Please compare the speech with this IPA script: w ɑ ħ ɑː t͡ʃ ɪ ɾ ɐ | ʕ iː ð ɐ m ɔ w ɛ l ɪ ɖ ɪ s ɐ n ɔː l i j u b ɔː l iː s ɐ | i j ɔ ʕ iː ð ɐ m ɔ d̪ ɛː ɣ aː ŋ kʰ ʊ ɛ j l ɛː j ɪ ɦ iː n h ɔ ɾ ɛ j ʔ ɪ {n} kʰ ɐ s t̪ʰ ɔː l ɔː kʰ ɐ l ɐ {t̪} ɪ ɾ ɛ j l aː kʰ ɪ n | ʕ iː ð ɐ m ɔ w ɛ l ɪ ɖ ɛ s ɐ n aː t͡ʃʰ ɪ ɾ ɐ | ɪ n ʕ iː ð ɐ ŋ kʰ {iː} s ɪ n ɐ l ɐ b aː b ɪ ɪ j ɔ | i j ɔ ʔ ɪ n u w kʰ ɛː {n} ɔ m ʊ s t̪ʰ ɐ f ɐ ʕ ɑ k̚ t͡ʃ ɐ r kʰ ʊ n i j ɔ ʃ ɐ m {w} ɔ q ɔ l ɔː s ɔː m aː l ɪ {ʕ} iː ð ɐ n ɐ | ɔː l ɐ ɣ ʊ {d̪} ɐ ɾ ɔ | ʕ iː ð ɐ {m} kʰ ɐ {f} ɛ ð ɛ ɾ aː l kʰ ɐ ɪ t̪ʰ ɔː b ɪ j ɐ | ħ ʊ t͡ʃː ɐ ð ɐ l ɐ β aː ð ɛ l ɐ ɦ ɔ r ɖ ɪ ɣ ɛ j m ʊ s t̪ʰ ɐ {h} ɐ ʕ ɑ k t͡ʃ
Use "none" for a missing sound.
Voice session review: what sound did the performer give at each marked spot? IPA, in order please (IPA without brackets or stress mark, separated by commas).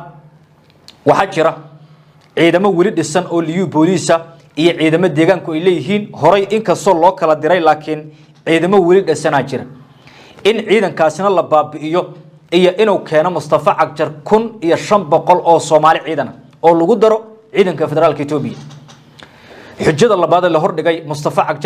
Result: ŋ, d̪, aː, n, b, ʕ, d̪, ŋ, f, f